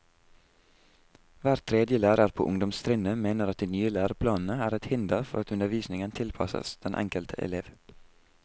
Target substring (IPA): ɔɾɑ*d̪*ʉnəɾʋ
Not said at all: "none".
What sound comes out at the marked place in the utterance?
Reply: t̪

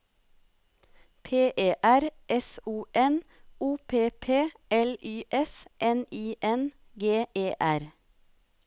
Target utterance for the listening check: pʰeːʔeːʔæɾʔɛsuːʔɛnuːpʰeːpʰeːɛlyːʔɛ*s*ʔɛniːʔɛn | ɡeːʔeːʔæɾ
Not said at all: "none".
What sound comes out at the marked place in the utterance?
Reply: s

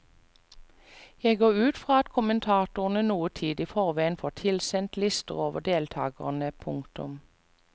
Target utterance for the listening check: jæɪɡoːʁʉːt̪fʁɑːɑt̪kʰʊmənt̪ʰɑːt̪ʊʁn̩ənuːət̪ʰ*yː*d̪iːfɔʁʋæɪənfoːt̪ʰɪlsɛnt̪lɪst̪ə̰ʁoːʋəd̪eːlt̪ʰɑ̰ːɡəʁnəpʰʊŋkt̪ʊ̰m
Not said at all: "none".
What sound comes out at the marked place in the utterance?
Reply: iː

